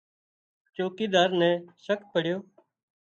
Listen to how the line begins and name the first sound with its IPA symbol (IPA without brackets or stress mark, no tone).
t͡ʃ